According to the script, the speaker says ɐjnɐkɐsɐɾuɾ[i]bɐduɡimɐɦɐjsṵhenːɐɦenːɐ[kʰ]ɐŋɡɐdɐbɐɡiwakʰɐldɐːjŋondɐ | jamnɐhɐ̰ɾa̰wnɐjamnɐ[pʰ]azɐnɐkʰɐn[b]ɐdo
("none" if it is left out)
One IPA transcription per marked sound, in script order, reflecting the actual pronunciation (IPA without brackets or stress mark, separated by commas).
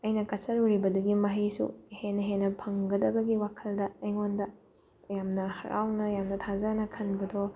i, pʰ, tʰ, b